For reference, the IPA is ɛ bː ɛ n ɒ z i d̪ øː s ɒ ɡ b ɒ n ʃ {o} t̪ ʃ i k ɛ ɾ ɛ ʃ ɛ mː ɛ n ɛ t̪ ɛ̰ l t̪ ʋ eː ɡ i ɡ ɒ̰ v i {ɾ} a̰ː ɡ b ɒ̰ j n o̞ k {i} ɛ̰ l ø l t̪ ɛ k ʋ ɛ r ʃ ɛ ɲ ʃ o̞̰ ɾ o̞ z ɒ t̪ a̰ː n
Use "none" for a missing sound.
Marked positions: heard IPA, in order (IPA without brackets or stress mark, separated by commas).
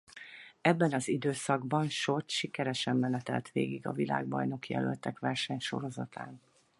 o, l, j